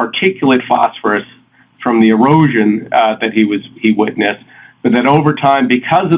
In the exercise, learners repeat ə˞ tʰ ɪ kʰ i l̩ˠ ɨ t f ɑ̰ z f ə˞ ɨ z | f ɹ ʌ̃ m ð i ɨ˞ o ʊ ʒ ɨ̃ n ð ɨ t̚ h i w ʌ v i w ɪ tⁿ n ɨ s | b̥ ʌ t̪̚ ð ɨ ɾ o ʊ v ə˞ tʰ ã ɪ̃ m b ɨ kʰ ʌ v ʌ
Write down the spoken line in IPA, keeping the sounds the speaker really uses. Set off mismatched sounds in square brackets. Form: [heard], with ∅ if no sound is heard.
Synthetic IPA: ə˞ tʰ ɪ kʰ [j] l̩ˠ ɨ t f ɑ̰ [s] f ə˞ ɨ [s] | f ɹ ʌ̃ m ð i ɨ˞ o ʊ ʒ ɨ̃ n ð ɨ t̚ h i w ʌ [z] i w ɪ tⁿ n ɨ s | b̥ ʌ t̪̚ ð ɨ ɾ o ʊ v ə˞ tʰ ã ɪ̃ m b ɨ kʰ ʌ [z] ʌ